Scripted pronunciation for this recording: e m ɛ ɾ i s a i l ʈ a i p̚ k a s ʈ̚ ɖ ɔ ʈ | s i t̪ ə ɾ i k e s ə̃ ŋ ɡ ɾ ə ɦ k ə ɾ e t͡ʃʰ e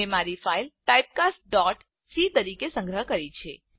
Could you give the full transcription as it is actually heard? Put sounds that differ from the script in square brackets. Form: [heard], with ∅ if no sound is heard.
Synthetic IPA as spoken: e m [a] ɾ i [f] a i l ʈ a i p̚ k a s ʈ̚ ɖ ɔ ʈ | s i t̪ ə ɾ i k e s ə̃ ŋ ɡ ɾ ə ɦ k ə ɾ [i] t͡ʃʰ e